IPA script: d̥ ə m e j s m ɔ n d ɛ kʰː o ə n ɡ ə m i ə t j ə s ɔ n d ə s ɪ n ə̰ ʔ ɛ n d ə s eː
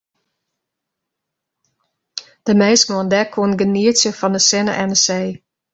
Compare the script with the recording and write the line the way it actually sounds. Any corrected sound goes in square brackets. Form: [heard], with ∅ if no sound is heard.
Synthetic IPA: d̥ ə m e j s m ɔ n d ɛ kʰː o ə n ɡ ə [n] i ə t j ə [f] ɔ n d ə s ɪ n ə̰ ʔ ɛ n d ə s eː